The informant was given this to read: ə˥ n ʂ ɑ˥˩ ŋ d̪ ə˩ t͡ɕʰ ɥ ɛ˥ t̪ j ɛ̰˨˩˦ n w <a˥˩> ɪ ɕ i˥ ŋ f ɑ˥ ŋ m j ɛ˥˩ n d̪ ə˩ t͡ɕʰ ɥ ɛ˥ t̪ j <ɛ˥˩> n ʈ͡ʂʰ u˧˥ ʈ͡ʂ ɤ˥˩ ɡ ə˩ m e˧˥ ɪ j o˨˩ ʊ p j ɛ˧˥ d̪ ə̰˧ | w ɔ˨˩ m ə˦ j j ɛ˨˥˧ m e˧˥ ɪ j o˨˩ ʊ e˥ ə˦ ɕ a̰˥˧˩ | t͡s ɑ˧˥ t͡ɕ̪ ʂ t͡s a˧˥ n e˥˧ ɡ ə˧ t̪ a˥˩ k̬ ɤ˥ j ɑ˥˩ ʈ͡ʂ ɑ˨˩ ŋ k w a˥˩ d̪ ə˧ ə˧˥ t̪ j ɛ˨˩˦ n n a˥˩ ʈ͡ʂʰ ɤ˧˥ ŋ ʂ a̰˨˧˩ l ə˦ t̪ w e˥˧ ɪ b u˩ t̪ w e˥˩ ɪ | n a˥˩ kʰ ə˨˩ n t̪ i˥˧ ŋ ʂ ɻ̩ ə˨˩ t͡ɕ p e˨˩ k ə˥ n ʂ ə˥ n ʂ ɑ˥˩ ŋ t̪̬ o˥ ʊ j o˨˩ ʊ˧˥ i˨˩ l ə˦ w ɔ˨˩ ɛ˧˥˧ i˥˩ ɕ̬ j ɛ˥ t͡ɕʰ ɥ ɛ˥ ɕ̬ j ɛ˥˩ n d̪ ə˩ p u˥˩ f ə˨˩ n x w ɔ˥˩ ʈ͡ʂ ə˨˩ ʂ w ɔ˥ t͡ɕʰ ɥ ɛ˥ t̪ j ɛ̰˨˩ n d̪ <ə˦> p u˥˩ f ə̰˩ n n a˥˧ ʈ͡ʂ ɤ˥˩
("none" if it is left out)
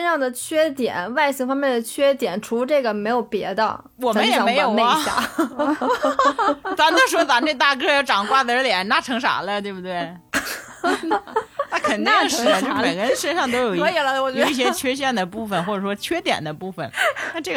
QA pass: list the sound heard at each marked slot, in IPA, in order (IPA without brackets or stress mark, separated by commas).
a˥˩, ɛ˨˩˦, ə˦